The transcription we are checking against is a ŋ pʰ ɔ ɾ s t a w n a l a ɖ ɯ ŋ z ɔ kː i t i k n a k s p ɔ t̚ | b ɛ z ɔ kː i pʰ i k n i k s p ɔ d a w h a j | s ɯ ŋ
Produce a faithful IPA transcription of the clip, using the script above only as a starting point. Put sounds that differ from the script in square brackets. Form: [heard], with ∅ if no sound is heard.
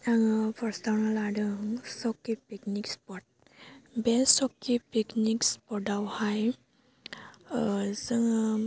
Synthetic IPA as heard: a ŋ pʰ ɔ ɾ s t a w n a l a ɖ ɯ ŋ [s] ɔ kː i [p] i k n [i] k s p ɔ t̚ | b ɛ [s] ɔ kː i [p] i k n i k s p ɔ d a w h a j | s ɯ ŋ

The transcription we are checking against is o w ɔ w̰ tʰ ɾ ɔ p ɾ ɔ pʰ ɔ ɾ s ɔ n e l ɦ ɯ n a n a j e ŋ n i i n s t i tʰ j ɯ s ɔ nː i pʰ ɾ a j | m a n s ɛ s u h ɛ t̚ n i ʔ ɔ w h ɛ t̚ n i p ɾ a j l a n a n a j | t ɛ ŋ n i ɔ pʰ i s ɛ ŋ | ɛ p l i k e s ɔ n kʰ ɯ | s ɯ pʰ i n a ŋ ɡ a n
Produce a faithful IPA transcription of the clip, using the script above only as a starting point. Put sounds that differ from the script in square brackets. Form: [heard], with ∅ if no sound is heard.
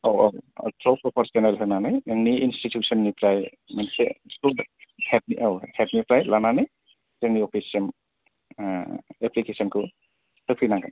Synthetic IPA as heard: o w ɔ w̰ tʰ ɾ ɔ p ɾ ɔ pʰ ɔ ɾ s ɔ n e l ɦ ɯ n a n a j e ŋ n i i n s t i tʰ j [u] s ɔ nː i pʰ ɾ a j | m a n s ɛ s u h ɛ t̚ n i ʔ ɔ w h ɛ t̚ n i p ɾ a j l a n a n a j | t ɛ ŋ n i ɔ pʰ i s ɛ [m] | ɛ p l i k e s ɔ n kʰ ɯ | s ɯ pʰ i n a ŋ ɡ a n

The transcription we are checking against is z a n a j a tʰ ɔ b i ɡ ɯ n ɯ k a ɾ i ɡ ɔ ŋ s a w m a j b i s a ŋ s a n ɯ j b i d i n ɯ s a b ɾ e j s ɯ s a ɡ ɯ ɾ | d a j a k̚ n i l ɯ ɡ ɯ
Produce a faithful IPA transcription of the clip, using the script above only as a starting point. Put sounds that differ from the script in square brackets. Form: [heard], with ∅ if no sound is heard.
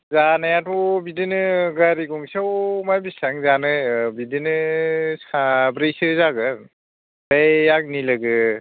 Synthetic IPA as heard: z a n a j a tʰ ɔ b i [d] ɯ n ɯ [ɡ] a ɾ i ɡ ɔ ŋ s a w m a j b i s a ŋ [z] a n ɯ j b i d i n ɯ s a b ɾ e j s ɯ [z] a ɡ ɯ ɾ | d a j a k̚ n i l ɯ ɡ ɯ

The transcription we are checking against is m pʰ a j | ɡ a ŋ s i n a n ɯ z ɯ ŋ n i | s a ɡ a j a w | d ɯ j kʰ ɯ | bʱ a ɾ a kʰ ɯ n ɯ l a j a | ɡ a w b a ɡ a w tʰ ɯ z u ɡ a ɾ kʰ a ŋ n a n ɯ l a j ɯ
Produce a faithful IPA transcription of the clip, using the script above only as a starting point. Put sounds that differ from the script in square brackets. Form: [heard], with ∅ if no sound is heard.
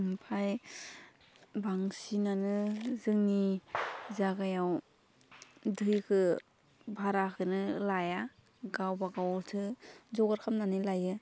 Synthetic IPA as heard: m pʰ a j | [b] a ŋ s i n a n ɯ z ɯ ŋ n i | [z] a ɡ a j a w | d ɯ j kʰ ɯ | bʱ a ɾ a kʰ ɯ n ɯ l a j a | ɡ a w b a ɡ a w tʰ ɯ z [ɔ] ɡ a ɾ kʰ a [m] n a n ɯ l a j ɯ

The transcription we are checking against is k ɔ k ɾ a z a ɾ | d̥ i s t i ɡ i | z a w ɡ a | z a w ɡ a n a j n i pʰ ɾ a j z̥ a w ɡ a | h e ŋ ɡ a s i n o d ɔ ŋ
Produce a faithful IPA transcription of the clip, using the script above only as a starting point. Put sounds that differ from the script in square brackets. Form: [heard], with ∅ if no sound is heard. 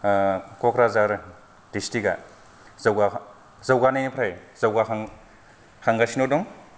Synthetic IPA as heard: k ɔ k ɾ a z a ɾ | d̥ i s t i ɡ [a] | z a w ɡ a | z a w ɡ a n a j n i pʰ ɾ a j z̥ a w ɡ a | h [a] ŋ ɡ a s i n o d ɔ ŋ

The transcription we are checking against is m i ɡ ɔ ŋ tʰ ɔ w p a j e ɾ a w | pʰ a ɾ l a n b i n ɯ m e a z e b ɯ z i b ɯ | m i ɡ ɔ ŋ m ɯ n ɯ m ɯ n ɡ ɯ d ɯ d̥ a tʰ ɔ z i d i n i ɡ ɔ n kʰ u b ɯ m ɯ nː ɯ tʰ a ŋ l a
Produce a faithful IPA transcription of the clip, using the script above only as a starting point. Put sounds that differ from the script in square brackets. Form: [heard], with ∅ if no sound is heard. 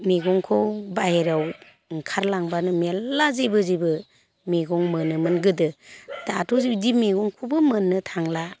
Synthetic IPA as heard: m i ɡ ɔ ŋ [kʰ] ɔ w [b] a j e ɾ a w | [kʰ] a ɾ l a [ŋ] b [a] n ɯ m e a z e b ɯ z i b ɯ | m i ɡ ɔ ŋ m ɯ n ɯ m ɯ n ɡ ɯ d ɯ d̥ a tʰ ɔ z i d i [m] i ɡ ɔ [ŋ] kʰ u b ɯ m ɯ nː ɯ tʰ a ŋ l a

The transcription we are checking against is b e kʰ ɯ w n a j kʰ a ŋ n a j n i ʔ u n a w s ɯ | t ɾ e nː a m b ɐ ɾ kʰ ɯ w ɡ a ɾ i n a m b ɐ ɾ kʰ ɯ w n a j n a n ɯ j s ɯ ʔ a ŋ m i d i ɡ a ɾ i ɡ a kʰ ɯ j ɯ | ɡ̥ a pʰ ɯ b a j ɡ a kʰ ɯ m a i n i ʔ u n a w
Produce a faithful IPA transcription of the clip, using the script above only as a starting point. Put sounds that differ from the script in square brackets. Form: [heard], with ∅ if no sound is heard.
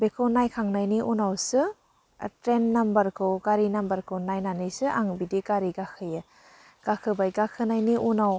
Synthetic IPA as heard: b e kʰ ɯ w n a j kʰ a ŋ n a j n i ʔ u n a w s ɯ | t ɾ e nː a m b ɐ ɾ kʰ ɯ w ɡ a ɾ i n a m b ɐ ɾ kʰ ɯ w n a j n a n ɯ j s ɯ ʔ a ŋ [b] i d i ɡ a ɾ i ɡ a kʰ ɯ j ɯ | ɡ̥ a [kʰ] ɯ b a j ɡ a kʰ ɯ [n] a [j] n i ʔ u n a w

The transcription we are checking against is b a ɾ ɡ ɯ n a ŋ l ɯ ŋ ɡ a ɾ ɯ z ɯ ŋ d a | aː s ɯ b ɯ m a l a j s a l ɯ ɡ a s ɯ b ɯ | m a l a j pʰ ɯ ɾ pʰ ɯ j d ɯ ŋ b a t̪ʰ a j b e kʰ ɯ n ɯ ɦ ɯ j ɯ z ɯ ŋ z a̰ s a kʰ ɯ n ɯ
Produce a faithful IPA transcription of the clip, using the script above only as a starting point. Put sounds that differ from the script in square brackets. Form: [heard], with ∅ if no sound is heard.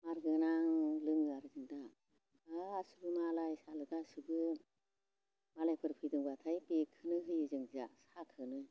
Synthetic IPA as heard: [m] a ɾ ɡ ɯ n a ŋ l ɯ ŋ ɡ a ɾ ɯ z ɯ ŋ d a | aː s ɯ b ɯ m a l a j s a l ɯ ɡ a s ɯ b ɯ | m a l a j pʰ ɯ ɾ pʰ ɯ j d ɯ ŋ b a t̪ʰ a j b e kʰ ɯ n ɯ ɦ ɯ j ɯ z ɯ ŋ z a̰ s a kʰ ɯ n ɯ

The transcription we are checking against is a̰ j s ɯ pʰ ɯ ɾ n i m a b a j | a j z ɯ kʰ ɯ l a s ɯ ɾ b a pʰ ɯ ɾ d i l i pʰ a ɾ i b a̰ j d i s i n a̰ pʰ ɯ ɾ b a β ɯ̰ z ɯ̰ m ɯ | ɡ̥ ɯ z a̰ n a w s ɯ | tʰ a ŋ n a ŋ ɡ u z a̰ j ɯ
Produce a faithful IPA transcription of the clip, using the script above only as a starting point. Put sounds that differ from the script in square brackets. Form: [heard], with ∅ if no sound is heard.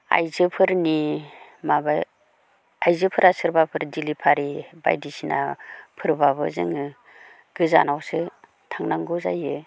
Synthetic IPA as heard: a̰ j [z] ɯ pʰ ɯ ɾ n i m a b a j | a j z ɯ [pʰ] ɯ [ɾ] a s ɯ ɾ b a pʰ ɯ ɾ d i l i pʰ a ɾ i b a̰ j d i s i n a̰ pʰ ɯ ɾ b a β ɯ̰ z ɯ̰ [ŋ] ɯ | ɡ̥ ɯ z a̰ n a w s ɯ | tʰ a ŋ n a ŋ ɡ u z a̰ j ɯ

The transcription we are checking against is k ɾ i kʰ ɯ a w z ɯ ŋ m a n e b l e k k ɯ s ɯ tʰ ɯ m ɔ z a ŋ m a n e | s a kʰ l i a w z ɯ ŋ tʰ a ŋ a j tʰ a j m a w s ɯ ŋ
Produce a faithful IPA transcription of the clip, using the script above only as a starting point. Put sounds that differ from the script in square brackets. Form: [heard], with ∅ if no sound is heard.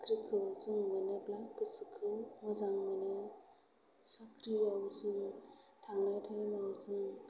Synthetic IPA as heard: k ɾ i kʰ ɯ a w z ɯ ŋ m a n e b l [a] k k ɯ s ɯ [kʰ] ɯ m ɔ z a ŋ m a n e | s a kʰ [ɾ] i a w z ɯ ŋ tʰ a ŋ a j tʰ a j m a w [z] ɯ ŋ

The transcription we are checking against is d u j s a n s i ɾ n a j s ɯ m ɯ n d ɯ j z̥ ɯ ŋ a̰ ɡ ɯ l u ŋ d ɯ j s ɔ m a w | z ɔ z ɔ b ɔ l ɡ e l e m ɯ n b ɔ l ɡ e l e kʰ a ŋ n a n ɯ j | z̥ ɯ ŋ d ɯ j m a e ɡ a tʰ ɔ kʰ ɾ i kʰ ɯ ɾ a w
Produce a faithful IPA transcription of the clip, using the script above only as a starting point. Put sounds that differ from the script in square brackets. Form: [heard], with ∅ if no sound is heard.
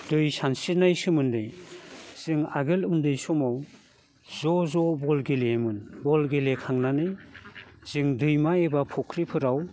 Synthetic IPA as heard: d [ɯ] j s a n s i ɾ n a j s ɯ m ɯ n d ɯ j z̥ ɯ ŋ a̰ ɡ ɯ l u [n] d ɯ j s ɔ m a w | z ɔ z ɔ b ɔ l ɡ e l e m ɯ n b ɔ l ɡ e l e kʰ a ŋ n a n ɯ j | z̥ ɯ ŋ d ɯ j m a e [b] a [pʰ] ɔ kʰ ɾ i [pʰ] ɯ ɾ a w

